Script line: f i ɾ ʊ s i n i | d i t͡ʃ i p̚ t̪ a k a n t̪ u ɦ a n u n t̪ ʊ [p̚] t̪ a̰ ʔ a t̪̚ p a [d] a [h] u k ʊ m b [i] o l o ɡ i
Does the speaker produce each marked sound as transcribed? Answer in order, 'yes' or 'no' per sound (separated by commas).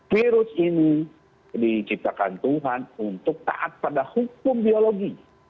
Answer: no, yes, yes, yes